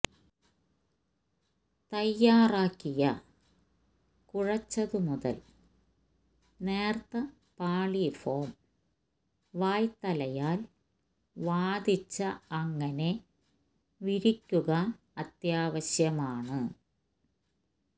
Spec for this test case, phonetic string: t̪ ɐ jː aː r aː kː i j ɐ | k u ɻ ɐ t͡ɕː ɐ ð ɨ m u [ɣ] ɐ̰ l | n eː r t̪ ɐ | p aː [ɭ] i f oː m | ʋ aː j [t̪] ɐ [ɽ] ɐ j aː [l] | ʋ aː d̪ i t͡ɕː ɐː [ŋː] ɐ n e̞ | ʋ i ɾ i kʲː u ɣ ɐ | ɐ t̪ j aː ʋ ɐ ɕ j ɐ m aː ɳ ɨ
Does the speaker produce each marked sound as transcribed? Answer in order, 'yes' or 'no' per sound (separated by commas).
no, yes, yes, no, yes, yes